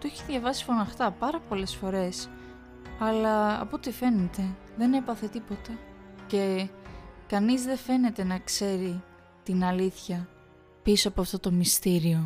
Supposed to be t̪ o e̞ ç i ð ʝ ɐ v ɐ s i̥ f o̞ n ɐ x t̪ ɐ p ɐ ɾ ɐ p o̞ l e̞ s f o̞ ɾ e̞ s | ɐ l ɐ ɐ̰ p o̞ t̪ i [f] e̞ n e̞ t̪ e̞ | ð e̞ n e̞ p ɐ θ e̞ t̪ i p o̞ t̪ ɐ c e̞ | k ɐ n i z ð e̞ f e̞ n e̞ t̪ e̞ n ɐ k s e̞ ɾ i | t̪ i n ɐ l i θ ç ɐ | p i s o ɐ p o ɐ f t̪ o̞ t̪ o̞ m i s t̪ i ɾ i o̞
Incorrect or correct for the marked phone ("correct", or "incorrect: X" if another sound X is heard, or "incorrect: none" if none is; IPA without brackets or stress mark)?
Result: correct